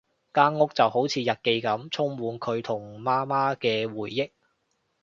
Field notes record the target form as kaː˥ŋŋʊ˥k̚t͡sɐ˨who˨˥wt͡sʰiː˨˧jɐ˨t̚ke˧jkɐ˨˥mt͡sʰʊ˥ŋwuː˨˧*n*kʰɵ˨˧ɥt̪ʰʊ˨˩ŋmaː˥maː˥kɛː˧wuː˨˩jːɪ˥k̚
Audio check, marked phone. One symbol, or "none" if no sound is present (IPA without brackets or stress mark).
n